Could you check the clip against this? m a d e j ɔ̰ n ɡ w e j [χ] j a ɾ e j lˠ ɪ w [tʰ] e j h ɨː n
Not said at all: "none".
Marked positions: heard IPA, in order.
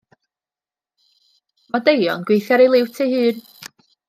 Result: θ, tʰ

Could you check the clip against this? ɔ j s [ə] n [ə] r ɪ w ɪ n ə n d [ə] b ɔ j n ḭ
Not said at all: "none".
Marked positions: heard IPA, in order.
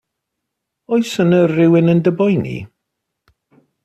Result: ə, ə, ə

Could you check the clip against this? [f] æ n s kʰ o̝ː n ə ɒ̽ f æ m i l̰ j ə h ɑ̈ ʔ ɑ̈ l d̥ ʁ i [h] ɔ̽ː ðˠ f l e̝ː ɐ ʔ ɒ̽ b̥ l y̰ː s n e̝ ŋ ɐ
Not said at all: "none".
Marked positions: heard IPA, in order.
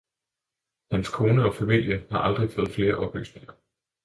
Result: h, f

